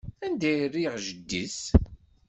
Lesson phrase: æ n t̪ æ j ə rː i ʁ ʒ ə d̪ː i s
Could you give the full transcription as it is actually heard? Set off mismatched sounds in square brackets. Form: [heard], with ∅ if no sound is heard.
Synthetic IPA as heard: æ n [d̪] æ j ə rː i ʁ ʒ ə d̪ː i s